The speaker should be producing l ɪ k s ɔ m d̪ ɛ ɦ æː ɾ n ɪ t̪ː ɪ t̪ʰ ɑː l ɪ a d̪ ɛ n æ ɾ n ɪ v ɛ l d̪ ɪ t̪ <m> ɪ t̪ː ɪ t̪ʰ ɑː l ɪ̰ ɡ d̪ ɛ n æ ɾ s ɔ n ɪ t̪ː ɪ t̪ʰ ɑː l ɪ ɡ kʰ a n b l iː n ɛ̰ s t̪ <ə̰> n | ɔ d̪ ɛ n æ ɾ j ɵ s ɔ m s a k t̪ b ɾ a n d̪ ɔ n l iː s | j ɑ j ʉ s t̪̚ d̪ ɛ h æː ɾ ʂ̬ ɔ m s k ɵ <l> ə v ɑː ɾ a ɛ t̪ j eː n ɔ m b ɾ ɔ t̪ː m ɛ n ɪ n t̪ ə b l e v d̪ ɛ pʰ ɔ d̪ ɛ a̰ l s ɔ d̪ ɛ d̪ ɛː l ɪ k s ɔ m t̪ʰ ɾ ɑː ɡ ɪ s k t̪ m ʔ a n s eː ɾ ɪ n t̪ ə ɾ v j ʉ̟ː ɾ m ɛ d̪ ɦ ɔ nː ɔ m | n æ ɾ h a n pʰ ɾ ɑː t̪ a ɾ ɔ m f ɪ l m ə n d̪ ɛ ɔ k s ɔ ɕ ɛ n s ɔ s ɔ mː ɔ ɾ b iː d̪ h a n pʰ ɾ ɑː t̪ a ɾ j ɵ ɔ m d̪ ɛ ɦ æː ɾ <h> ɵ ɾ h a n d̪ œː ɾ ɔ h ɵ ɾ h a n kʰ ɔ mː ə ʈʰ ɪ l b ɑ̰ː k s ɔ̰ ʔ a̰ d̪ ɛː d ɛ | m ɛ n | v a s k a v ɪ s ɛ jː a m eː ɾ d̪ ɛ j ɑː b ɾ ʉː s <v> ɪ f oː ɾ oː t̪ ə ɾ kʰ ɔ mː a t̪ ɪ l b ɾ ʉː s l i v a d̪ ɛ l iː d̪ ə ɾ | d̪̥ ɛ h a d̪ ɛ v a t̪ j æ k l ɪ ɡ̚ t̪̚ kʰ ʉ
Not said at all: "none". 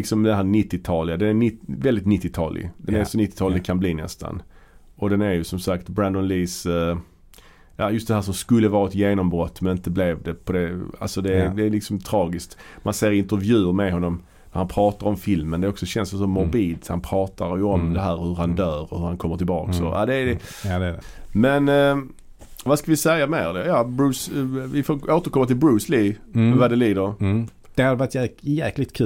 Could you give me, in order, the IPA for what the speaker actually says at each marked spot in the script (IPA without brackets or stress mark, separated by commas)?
n, a̰, lː, h, v